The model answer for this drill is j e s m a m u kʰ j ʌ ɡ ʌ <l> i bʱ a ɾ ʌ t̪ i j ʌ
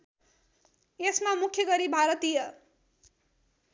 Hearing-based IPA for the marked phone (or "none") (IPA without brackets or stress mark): ɾ